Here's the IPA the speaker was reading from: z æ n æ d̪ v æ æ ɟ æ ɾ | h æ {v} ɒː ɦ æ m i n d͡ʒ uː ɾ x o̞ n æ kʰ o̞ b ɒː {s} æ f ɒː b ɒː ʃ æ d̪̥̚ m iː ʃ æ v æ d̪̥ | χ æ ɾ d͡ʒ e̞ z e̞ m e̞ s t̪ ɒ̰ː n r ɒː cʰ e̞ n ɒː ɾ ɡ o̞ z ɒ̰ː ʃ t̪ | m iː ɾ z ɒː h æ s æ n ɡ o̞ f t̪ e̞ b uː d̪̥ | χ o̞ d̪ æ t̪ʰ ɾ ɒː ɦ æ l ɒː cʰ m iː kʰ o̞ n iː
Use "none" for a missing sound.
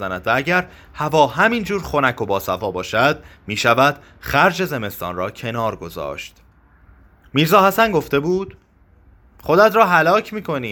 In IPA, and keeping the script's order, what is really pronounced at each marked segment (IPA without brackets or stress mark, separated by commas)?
v, s